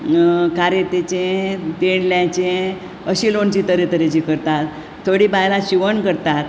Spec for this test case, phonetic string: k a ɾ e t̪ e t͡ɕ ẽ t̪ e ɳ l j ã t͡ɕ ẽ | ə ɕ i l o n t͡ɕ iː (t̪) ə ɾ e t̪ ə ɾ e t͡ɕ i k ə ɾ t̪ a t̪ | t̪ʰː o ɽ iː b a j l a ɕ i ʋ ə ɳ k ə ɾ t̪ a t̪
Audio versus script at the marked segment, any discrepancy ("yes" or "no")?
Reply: no